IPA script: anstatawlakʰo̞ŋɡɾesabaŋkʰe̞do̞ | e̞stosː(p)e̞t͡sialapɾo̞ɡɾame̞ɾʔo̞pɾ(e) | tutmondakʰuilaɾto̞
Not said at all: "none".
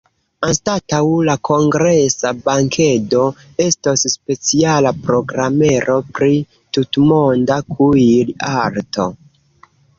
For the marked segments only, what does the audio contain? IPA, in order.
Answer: p, i

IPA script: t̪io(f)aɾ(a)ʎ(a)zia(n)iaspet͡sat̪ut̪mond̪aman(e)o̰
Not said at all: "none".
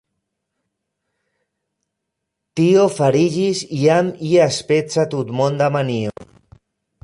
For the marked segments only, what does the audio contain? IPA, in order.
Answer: f, i, i, m, i

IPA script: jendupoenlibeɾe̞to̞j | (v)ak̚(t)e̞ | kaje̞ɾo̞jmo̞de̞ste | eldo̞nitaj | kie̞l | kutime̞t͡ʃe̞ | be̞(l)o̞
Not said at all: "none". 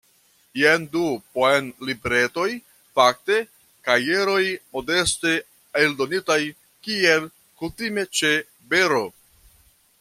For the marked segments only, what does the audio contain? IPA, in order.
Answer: f, t, ɾ

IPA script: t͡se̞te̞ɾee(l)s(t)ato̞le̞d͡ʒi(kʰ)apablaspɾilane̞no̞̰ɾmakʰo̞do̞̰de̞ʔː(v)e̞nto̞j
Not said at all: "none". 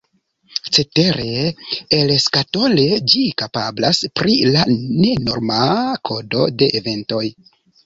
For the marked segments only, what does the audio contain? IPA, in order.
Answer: l, k, k, v

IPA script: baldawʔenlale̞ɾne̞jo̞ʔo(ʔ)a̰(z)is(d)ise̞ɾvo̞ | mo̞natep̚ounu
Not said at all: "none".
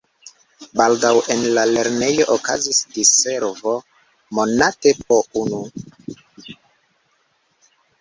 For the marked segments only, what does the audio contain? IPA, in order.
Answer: k, z, d

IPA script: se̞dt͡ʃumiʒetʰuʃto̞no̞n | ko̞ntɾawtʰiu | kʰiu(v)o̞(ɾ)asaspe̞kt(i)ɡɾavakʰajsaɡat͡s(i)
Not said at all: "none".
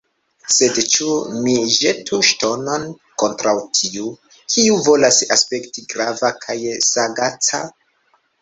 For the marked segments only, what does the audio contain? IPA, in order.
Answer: v, l, i, a

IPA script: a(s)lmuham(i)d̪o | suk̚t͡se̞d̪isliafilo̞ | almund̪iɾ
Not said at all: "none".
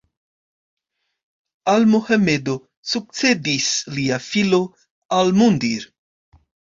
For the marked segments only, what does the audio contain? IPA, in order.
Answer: none, e

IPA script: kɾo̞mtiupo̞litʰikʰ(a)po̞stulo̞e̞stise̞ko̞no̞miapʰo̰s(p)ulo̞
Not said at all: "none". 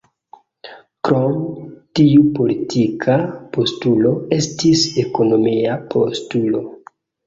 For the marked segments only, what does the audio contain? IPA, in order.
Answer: a, t

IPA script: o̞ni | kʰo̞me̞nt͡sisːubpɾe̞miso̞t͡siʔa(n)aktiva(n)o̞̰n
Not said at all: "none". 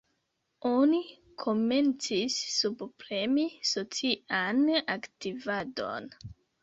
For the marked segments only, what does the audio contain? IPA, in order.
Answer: n, d

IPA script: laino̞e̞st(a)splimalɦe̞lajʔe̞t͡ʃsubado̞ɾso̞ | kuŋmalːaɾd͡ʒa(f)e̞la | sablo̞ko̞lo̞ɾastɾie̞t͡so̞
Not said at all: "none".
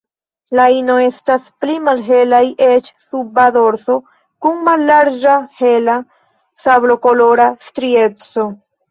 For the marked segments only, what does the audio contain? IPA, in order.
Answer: a, h

